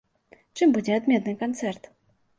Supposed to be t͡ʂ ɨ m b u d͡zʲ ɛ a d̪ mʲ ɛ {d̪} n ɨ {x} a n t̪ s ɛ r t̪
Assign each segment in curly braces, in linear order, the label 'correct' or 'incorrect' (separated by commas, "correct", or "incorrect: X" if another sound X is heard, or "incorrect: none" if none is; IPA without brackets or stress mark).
incorrect: t̪, incorrect: k